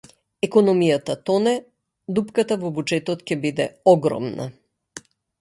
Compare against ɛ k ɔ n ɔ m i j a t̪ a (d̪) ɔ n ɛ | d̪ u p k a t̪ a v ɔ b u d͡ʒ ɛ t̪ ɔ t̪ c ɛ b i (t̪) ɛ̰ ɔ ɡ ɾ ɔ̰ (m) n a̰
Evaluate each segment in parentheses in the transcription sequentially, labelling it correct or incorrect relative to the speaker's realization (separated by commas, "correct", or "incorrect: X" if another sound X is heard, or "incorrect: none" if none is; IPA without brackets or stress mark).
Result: incorrect: t̪, incorrect: d̪, correct